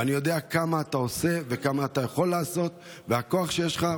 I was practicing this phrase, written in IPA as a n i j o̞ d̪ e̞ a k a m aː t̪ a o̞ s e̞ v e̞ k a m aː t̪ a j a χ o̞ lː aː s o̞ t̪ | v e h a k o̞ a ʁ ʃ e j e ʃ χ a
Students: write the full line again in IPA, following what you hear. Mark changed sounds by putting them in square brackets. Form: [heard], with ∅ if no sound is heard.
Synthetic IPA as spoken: a n i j o̞ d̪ e̞ a k a m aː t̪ a o̞ s e̞ v e̞ k a m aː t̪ a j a χ o̞ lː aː s o̞ t̪ | v e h a k o̞ a [χ] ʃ e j e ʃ χ a